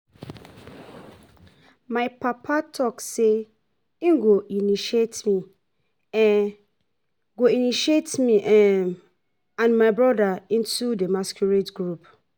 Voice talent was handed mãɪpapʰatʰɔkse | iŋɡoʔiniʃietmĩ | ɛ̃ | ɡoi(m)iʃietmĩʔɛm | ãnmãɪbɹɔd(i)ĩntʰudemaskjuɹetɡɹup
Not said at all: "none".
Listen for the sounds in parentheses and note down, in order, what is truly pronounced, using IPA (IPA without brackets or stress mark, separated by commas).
n, a